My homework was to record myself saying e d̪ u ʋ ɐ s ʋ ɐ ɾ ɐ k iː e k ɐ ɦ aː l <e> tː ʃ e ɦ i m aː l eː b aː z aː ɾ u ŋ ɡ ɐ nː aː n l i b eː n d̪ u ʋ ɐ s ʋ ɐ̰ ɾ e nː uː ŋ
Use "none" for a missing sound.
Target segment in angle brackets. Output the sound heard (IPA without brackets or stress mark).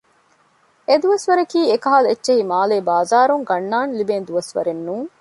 e